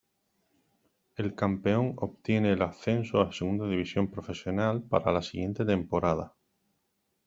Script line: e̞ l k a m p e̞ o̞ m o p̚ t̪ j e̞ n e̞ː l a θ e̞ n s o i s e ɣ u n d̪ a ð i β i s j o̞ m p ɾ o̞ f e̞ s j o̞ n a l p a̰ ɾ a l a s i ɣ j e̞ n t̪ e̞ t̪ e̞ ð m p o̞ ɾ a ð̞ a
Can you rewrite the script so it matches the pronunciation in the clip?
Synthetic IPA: e̞ l k a m p e̞ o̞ ŋ o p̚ t̪ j e̞ n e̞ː l a θ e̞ n s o a s e ɣ u n d̪ a ð i β i s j o̞ m p ɾ o̞ f e̞ s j o̞ n a l p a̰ ɾ a l a s i ɣ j e̞ n t̪ e̞ t̪ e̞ m p o̞ ɾ a ð̞ a